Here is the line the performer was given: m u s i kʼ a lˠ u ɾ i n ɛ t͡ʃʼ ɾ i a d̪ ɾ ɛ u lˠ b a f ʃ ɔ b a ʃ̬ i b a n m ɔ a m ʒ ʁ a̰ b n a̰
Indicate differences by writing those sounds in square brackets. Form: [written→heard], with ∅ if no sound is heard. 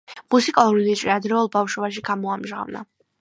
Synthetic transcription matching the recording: m u s i kʼ a lˠ u ɾ i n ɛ t͡ʃʼ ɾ i a d̪ ɾ ɛ u lˠ b a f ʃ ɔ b a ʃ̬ i [b→ɡ] a [n→∅] m ɔ a m ʒ ʁ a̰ [b→v] n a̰